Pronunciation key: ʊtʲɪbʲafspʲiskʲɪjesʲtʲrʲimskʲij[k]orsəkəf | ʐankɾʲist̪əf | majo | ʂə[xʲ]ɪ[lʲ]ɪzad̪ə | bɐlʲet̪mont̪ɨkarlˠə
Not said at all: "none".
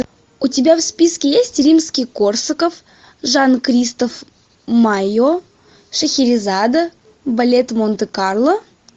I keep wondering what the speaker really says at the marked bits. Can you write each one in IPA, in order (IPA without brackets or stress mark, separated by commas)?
k, xʲ, ɾʲ